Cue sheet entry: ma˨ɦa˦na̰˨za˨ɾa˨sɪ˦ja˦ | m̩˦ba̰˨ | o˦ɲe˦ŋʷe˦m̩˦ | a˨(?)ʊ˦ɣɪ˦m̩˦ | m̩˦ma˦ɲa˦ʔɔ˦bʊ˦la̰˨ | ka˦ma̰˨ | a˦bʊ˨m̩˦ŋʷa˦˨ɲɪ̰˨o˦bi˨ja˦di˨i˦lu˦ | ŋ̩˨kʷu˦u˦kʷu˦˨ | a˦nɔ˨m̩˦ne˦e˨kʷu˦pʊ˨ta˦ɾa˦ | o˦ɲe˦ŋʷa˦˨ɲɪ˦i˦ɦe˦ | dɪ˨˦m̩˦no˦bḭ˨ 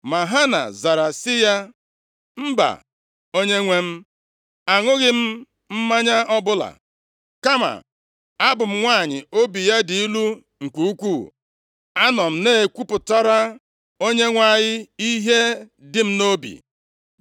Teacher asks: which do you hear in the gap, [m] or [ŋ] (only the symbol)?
ŋ